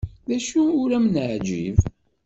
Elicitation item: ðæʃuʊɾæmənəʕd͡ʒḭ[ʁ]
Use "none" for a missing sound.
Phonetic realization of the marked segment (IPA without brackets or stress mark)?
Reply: v